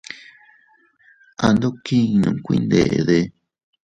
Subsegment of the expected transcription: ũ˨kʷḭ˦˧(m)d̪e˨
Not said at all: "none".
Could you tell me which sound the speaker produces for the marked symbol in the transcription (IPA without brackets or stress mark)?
n